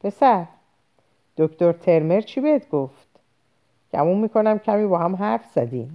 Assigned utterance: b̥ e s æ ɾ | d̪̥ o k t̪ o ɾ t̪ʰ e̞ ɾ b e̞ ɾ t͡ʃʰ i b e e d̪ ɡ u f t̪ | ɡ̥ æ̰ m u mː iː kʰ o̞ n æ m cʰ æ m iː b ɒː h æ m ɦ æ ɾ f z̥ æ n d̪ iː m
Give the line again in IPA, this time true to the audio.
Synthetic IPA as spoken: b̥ e s æ ɾ | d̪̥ o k t̪ o ɾ t̪ʰ e̞ ɾ m e̞ ɾ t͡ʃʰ i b e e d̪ ɡ o f t̪ | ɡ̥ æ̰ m u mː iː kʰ o̞ n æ m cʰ æ m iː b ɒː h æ m ɦ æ ɾ f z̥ æ d̪ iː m